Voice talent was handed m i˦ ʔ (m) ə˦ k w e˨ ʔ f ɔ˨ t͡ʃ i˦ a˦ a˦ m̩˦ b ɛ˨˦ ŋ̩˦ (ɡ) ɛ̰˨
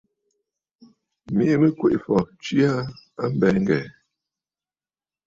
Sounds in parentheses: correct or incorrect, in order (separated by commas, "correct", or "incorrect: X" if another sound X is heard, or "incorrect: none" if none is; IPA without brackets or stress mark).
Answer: correct, correct